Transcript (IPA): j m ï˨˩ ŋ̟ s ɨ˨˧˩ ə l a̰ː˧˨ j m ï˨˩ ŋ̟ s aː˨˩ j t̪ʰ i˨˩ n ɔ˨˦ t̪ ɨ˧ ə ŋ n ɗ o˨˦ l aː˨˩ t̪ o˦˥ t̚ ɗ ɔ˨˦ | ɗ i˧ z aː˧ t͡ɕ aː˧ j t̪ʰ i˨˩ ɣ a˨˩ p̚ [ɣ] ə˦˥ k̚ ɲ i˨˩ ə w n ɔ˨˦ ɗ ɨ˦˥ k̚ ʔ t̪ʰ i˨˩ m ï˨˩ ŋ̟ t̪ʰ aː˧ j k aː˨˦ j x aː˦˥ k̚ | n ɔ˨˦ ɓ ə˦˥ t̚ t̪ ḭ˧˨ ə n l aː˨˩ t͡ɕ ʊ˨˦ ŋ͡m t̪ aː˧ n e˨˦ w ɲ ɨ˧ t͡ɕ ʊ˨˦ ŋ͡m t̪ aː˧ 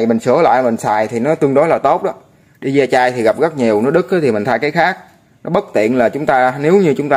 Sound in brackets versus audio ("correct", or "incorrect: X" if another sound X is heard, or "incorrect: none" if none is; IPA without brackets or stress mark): correct